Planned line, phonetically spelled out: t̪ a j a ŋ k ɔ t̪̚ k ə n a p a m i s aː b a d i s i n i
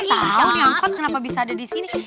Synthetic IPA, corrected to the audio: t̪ a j a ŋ k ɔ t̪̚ k ə n a p a b i s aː d a d i s i n i